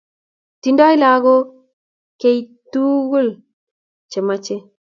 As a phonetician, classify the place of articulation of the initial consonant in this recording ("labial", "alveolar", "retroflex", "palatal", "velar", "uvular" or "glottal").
alveolar